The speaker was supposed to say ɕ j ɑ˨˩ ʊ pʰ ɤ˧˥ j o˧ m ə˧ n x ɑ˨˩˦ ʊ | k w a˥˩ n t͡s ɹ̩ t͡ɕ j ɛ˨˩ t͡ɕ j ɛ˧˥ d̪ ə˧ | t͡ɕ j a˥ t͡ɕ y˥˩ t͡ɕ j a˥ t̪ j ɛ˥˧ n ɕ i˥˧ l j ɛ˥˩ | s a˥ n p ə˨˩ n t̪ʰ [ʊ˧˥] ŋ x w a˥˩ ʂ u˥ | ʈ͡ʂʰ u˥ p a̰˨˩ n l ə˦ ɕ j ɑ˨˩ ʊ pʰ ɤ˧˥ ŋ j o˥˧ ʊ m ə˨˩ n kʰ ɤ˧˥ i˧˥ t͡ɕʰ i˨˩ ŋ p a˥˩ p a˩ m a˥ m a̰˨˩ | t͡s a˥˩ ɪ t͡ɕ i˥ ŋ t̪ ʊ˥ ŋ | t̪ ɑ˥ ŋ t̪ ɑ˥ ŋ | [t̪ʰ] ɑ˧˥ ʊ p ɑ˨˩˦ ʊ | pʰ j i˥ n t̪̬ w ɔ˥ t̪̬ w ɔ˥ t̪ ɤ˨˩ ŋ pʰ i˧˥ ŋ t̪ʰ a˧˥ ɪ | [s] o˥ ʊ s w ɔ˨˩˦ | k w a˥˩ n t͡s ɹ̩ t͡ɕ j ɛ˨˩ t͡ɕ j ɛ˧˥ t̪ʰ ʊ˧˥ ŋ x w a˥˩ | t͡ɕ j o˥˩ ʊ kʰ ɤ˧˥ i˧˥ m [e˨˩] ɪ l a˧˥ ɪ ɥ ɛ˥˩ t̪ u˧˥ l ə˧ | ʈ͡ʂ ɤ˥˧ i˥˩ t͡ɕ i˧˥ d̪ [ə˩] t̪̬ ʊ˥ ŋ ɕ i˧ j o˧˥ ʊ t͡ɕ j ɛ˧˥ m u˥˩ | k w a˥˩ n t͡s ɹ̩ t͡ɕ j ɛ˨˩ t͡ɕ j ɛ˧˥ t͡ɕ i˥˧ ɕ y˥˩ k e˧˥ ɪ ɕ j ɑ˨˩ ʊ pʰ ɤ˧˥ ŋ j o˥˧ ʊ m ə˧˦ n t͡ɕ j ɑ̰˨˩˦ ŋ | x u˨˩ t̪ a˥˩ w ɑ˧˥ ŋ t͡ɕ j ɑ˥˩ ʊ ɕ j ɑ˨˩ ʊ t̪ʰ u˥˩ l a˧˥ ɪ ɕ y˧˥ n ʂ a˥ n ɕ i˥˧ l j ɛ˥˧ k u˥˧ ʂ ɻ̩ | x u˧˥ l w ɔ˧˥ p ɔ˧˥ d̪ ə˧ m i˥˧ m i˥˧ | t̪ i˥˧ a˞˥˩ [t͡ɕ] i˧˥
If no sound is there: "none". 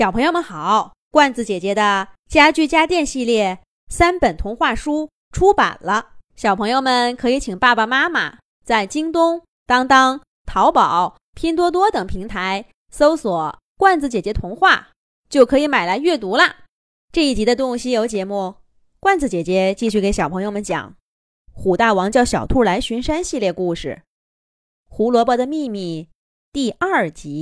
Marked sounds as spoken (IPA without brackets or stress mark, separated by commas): ʊ˧˥, t̪ʰ, s, a˨˩, ə˧, t͡ɕ